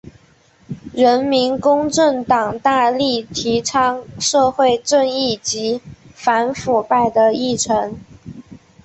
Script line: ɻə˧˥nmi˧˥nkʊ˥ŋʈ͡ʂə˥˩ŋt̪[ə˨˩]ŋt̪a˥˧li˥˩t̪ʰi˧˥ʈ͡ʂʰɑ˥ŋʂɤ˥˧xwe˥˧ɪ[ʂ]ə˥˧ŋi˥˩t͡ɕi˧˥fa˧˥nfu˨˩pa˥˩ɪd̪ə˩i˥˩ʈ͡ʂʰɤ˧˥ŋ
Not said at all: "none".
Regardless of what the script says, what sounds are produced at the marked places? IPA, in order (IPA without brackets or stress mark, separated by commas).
ɑ˨˩, ʈ͡ʂ